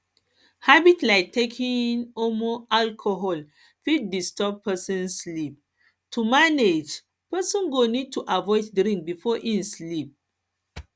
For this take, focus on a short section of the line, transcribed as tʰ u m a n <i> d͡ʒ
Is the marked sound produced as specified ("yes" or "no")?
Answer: no